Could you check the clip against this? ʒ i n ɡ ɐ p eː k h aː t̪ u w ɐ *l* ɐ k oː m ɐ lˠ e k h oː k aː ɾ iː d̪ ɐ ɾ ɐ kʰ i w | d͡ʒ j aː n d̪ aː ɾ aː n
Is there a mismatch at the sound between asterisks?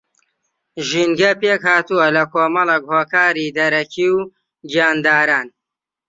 no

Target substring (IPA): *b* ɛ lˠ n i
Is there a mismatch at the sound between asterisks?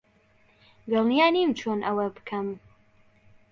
yes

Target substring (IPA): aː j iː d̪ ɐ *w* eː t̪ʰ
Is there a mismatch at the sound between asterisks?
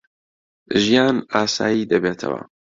yes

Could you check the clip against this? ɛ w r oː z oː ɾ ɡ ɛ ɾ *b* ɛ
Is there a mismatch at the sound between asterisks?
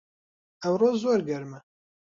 yes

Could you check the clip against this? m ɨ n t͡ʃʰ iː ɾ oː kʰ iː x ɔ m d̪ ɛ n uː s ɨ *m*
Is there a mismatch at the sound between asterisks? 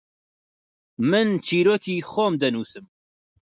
no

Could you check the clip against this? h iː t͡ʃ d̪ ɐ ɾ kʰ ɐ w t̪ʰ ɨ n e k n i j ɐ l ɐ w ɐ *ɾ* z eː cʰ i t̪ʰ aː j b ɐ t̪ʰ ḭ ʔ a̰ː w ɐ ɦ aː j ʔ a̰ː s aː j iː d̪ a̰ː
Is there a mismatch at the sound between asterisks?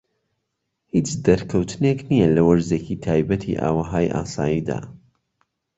no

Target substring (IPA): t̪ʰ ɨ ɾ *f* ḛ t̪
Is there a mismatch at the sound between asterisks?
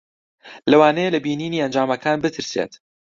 yes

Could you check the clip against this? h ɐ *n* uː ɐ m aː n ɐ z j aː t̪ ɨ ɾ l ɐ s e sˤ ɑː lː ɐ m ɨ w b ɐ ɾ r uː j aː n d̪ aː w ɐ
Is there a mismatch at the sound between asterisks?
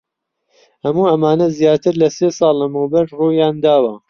yes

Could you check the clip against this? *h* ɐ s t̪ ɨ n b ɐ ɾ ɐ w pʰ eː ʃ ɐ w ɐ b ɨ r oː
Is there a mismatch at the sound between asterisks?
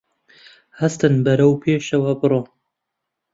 no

